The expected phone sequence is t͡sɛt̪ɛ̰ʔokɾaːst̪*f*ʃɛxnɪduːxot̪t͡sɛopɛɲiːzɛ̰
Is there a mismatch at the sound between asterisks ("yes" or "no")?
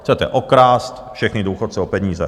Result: no